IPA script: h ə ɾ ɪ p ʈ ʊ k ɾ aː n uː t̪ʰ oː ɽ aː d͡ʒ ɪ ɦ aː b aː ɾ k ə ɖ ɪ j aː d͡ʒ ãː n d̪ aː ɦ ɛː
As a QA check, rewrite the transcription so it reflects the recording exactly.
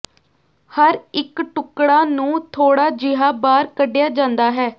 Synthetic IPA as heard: h ə ɾ ɪ k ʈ ʊ k ɽ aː n ũː t̪ʰ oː ɽ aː d͡ʒ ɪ ɦ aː b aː ɾ k ə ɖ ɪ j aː d͡ʒ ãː n d̪ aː ɦ ɛː